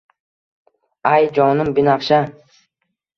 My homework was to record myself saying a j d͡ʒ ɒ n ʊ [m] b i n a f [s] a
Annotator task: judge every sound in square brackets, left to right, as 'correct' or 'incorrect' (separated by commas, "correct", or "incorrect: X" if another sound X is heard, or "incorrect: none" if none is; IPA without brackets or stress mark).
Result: correct, incorrect: ʃ